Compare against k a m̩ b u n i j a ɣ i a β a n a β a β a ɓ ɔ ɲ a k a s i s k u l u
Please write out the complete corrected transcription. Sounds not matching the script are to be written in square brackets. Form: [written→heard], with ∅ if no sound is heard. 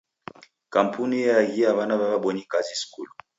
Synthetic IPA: k a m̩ [b→p] u n i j a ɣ i a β a n a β a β a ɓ ɔ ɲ [a→i] k a [s→z] i s k u l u